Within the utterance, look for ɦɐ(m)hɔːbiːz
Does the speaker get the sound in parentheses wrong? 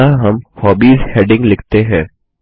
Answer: no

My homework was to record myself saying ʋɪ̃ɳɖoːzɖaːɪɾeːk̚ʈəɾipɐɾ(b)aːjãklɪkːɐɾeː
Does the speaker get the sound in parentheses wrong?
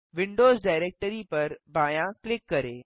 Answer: no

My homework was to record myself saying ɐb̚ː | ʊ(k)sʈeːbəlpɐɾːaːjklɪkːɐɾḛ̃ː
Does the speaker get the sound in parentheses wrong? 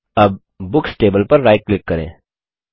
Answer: no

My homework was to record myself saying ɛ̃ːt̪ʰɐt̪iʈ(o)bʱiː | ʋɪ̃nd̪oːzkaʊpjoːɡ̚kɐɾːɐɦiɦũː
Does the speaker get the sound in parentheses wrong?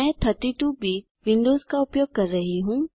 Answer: yes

